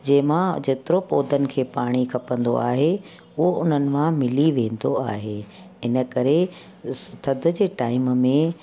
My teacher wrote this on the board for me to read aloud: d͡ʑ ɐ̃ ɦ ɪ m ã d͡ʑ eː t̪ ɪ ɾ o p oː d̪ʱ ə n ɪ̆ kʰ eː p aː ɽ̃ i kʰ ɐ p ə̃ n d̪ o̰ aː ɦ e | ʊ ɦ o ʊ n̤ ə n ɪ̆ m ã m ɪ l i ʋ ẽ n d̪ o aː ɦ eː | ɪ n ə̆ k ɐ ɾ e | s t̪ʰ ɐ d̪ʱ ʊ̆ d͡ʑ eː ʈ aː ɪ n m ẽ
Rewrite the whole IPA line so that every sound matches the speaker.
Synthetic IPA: d͡ʑ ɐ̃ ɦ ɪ m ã d͡ʑ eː t̪ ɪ ɾ o p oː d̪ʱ ə n ɪ̆ kʰ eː p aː ɽ̃ i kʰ ɐ p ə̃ n d̪ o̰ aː ɦ e | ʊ ɦ o ʊ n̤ ə n ɪ̆ m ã m ɪ l i ʋ ẽː n d̪ o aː ɦ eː | ɪ n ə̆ k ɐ ɾ e | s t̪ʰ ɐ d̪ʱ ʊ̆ d͡ʑ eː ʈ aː ɪ m m ẽ